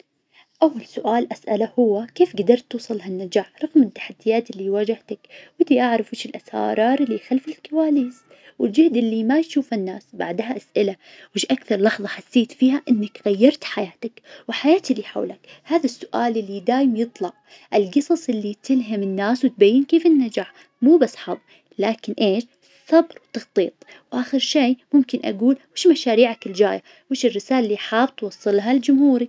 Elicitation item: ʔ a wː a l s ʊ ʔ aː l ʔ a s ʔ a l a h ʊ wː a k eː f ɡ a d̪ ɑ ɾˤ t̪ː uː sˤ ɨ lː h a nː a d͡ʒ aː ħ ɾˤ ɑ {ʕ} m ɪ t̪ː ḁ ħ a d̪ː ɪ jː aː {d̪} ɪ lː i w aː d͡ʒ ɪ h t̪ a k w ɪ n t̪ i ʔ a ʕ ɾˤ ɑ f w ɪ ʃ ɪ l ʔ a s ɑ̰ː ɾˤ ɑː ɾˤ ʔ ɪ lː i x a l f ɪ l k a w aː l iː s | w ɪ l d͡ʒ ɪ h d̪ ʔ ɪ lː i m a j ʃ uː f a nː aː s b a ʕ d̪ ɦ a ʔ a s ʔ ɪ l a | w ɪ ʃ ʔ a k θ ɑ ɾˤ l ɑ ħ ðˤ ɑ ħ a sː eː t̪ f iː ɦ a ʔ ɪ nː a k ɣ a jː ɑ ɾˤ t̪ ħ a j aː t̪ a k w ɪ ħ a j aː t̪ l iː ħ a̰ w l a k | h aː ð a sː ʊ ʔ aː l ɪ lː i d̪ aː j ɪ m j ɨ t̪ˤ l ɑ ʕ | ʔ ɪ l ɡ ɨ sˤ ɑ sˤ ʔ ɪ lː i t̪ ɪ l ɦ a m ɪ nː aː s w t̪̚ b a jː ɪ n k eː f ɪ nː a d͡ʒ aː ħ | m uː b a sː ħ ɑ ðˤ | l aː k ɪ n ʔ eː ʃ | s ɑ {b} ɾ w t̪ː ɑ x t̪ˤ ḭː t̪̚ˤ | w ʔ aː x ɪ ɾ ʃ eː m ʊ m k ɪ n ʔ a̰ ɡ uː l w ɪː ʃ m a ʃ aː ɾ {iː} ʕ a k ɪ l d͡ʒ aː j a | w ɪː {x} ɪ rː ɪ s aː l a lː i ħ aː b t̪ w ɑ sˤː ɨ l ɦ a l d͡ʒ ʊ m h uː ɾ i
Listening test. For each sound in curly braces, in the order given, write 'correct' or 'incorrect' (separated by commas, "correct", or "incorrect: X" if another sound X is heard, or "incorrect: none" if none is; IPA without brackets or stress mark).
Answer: incorrect: ɣ, incorrect: t̪, correct, correct, incorrect: ʃ